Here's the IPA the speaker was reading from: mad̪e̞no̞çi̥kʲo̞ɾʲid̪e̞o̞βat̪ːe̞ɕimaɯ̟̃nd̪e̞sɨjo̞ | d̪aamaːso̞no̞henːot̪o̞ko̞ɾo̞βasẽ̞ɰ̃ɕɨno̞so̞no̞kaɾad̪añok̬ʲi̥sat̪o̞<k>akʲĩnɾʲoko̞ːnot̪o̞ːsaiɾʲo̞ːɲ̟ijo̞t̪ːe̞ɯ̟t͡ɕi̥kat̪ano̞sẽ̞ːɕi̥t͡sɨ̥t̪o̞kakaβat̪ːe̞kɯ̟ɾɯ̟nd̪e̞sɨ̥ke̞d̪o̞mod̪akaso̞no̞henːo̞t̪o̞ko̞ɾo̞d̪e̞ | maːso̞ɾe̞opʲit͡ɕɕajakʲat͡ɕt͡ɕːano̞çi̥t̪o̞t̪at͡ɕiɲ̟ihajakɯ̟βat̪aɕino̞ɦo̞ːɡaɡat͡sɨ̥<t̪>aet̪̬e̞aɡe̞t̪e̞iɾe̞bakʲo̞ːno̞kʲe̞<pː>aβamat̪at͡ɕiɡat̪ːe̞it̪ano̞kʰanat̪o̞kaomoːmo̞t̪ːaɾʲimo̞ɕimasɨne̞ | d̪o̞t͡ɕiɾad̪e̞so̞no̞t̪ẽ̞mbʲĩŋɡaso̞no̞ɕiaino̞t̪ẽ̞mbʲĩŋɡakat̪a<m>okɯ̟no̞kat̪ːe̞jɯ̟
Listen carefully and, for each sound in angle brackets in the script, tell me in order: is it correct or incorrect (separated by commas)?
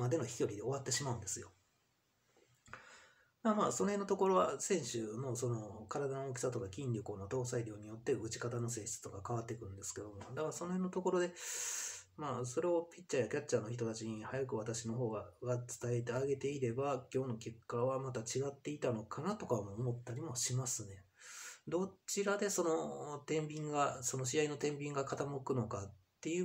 correct, correct, incorrect, correct